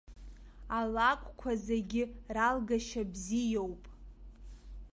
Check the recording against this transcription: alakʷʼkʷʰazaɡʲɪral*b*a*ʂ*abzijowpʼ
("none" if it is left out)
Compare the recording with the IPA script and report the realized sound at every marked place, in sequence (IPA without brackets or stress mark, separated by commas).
ɡ, ʃ